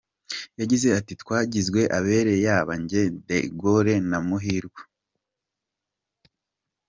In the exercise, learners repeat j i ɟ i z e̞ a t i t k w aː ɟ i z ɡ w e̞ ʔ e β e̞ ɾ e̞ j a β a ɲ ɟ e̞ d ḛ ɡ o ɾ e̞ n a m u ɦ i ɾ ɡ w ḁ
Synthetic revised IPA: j a ɟ i z e̞ a t i t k w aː ɟ i z ɡ w e̞ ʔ a β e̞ ɾ e̞ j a β a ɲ ɟ e̞ d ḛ ɡ o ɾ e̞ n a m u ɦ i ɾ ɡ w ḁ